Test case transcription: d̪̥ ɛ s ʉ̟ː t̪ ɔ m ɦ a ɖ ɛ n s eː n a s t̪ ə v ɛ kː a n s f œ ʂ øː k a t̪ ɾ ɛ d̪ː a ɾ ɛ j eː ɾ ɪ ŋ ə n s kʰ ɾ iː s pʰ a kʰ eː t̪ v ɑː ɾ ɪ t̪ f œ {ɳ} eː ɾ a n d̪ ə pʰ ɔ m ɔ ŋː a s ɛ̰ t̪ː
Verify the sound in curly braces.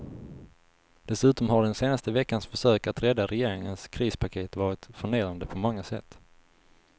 correct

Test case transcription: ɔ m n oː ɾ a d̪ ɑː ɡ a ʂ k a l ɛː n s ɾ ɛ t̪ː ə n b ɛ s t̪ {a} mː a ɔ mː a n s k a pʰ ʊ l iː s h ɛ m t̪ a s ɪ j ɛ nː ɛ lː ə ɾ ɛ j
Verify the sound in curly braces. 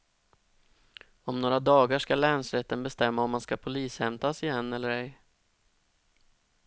incorrect: ɛ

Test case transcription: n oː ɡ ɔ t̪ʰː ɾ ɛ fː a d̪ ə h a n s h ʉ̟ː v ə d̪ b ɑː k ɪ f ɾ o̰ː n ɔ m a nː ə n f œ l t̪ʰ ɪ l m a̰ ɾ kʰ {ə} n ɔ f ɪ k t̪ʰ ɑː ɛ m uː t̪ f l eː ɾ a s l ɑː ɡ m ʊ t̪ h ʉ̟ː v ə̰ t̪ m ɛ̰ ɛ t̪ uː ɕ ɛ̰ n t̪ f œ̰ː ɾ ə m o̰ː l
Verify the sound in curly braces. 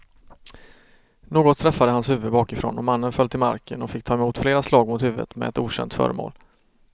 correct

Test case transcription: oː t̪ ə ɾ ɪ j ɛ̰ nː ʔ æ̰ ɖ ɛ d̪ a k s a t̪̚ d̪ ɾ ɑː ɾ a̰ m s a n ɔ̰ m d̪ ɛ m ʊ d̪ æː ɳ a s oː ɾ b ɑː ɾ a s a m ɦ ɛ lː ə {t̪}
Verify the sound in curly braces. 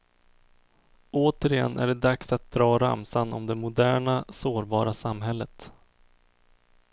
correct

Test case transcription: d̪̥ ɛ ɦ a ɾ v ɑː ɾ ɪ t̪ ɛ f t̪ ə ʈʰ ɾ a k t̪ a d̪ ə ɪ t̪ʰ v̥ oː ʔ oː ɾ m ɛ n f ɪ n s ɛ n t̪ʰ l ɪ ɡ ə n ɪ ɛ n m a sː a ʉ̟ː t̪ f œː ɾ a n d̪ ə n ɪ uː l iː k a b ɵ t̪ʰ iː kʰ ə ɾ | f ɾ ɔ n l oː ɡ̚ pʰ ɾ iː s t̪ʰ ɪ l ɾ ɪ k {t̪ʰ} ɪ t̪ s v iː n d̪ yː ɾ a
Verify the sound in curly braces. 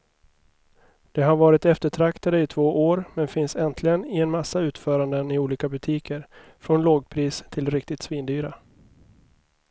incorrect: t̪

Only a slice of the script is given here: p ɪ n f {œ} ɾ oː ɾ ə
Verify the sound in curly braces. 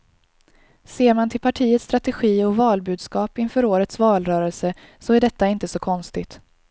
incorrect: œː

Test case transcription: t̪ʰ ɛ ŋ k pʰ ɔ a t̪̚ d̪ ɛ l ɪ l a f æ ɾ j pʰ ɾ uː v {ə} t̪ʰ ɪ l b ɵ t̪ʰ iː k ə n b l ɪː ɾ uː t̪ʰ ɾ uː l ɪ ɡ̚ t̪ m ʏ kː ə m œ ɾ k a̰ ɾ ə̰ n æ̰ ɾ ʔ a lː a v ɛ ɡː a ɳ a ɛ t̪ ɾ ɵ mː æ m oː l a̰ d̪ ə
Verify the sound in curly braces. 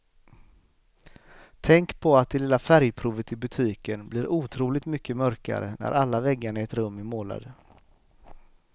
correct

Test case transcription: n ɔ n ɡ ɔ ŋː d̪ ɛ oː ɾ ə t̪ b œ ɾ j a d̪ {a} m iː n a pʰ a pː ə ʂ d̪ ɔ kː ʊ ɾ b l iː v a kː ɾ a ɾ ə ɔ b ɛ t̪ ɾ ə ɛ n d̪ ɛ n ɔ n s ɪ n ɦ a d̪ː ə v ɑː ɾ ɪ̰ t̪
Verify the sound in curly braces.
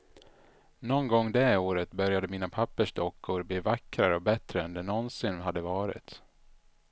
incorrect: ə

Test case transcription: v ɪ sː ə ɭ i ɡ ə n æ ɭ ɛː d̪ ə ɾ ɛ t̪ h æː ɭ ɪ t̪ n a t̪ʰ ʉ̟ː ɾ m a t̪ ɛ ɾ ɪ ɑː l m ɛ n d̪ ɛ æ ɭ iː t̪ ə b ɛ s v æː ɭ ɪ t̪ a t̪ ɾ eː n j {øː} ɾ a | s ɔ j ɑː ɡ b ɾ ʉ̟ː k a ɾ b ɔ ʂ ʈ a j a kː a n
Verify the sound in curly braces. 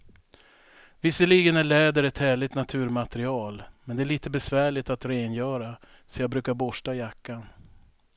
incorrect: œː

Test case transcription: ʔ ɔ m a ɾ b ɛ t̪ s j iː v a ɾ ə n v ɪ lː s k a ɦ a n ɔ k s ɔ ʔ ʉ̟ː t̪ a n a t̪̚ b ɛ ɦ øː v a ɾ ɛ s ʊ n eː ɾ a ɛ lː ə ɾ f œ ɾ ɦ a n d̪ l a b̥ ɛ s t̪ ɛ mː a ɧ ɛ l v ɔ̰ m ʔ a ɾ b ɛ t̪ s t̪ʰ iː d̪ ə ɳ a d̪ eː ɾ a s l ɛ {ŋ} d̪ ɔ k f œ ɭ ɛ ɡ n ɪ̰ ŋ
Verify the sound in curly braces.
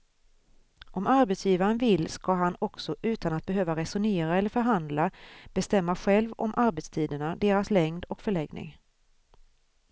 correct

